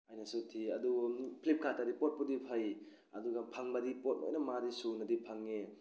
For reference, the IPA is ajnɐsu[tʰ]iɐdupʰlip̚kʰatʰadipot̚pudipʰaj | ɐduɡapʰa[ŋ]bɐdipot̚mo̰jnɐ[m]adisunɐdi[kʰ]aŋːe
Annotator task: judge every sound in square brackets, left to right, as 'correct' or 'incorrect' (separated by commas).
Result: correct, correct, correct, incorrect